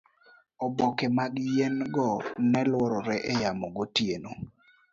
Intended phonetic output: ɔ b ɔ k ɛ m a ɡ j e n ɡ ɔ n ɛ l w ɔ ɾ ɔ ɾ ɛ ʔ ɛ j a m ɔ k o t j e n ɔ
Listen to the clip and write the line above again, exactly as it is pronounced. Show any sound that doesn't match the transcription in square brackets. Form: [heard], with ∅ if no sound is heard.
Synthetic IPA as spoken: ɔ b ɔ k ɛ m a ɡ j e n ɡ ɔ n ɛ l w ɔ ɾ ɔ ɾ ɛ ʔ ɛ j a m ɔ [ɡ] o t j e n [o]